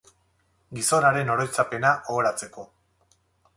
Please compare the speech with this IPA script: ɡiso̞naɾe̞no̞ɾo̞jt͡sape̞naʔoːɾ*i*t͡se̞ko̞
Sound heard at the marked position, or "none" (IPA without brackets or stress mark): a